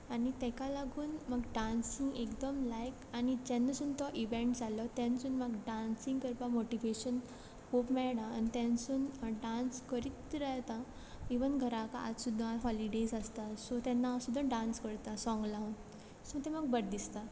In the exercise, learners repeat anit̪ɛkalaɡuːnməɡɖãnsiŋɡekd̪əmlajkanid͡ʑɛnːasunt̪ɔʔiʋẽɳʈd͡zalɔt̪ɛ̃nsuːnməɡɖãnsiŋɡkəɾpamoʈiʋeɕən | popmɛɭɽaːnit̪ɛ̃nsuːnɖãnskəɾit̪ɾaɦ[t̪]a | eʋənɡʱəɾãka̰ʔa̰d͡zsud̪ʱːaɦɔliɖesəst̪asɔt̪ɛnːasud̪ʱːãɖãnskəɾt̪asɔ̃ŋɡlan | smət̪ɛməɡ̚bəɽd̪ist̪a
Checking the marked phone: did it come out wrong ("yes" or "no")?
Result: no